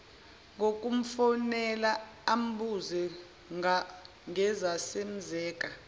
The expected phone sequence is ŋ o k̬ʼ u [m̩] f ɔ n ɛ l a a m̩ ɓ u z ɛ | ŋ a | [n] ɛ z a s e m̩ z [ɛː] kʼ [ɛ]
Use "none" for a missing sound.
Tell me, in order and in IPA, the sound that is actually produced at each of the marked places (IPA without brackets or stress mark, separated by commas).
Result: m̩, ŋ, ɛː, a